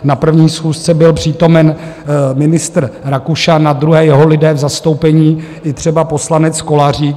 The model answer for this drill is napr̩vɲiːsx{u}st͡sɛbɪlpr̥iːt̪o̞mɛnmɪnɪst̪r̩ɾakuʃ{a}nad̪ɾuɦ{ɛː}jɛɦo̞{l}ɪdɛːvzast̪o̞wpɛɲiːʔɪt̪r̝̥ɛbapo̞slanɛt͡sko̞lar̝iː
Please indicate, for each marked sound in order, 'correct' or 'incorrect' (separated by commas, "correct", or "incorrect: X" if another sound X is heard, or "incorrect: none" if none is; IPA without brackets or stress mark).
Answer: incorrect: uː, correct, correct, correct